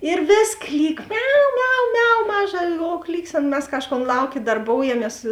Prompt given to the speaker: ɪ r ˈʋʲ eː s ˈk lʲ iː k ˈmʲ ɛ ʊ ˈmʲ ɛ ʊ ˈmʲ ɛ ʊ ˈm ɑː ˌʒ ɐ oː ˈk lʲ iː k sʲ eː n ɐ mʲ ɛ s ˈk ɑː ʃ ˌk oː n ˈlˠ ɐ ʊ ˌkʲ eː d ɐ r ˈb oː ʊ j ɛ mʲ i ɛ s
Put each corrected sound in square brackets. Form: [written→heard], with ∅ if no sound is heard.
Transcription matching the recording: ɪ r ˈʋʲ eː s ˈk lʲ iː k ˈmʲ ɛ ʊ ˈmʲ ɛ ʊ ˈmʲ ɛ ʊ ˈm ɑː ˌʒ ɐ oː ˈk lʲ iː k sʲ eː n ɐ mʲ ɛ s ˈk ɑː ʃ ˌk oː n ˈlˠ ɐ ʊ ˌkʲ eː d ɐ r ˈb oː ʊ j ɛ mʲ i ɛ s